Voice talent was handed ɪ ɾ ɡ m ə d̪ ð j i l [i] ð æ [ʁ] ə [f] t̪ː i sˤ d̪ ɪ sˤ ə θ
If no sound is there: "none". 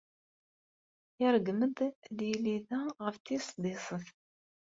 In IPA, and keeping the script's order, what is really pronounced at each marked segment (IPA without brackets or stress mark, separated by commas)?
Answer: i, ʁ, f